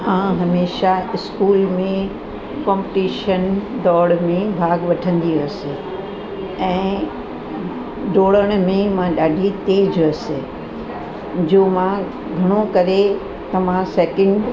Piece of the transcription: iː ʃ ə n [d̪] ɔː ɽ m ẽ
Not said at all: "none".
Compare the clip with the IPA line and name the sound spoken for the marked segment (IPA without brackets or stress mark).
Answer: d̪